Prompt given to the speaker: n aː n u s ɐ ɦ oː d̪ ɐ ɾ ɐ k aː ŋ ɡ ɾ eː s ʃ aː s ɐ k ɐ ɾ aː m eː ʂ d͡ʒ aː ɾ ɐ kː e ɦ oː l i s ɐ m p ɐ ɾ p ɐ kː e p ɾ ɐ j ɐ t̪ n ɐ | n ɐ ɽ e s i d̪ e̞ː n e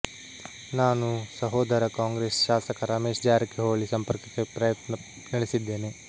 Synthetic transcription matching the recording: n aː n u s ɐ ɦ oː d̪ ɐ ɾ ɐ k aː ŋ ɡ ɾ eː s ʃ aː s ɐ k ɐ ɾ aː m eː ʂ d͡ʒ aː ɾ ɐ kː e ɦ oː ɭ i s ɐ m p ɐ ɾ k ɐ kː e p ɾ ɐ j ɐ t̪ n ɐ | n ɐ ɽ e s i d̪ː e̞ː n e